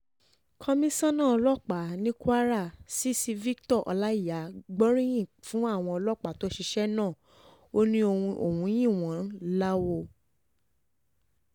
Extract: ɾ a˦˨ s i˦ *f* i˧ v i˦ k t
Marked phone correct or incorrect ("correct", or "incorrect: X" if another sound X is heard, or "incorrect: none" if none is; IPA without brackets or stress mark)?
incorrect: s